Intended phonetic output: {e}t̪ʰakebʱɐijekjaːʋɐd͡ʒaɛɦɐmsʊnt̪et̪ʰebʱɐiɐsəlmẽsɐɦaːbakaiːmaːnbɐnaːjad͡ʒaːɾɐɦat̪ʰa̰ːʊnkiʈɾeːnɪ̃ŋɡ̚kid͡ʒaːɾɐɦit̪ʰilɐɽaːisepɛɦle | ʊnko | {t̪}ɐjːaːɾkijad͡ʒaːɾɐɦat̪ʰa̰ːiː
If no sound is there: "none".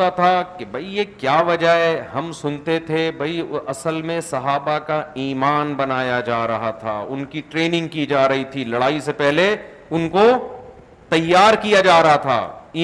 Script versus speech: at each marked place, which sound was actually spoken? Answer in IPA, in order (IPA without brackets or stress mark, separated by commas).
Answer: a, t̪